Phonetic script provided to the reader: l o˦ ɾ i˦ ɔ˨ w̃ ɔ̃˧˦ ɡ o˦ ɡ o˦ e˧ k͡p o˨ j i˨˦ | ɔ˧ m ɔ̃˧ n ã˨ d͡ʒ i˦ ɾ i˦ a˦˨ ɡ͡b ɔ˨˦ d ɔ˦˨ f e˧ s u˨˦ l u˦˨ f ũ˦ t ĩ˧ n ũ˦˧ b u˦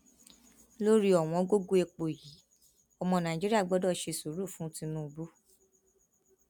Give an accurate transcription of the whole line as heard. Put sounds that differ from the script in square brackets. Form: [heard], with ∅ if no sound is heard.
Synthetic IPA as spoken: l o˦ ɾ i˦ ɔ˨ w̃ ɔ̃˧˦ ɡ o˦ ɡ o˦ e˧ k͡p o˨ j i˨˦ | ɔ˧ m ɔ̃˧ n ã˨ d͡ʒ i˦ ɾ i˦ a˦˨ ɡ͡b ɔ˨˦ d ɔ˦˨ [ʃ] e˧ s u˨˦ [ɾ] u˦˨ f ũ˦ t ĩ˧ n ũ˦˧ b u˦